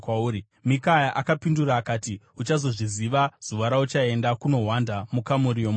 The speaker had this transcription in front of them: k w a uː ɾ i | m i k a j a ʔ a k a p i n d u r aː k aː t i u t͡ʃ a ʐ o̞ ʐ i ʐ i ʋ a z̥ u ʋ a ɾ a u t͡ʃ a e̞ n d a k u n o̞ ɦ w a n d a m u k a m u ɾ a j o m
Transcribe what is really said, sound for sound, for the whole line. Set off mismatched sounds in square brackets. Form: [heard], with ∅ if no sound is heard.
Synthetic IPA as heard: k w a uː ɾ i | m i k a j a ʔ a k a p i n d u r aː k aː t i u t͡ʃ a [z] o̞ ʐ i [z] i ʋ a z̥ u ʋ a ɾ a u t͡ʃ a e̞ n d a k u n o̞ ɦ w a n d a m u k a m u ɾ [i] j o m